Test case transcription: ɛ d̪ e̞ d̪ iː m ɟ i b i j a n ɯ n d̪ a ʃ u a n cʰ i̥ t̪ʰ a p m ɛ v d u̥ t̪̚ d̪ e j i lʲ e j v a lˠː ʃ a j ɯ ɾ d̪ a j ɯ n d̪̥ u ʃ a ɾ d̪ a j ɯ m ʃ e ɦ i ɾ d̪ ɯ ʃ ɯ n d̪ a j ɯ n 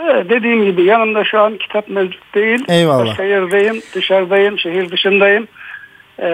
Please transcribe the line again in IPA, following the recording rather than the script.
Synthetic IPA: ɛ d̪ e̞ d̪ iː m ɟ i b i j a n ɯ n d̪ a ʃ u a n cʰ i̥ t̪ʰ a p m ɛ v d͡ʒ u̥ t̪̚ d̪ e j i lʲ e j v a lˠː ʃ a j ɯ ɾ d̪ a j ɯ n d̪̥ ɯ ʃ a ɾ d̪ a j ɯ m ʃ e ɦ i ɾ d̪ ɯ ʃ ɯ n d̪ a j ɯ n